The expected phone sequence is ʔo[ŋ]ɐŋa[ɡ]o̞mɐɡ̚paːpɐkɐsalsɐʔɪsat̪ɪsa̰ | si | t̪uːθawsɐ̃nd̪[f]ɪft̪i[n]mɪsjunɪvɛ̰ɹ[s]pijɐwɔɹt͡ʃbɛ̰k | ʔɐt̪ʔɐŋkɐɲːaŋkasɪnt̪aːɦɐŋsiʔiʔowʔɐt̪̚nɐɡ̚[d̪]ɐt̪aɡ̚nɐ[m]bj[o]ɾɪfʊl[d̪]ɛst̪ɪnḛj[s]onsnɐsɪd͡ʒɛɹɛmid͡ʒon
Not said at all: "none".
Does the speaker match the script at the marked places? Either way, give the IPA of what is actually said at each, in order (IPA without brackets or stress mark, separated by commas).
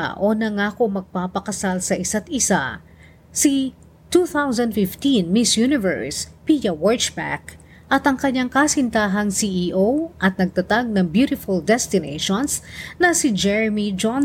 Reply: n, k, f, n, s, t̪, ŋ, u, d̪, ʃ